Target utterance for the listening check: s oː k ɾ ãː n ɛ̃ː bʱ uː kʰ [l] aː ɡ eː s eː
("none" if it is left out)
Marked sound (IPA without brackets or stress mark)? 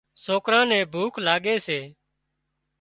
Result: l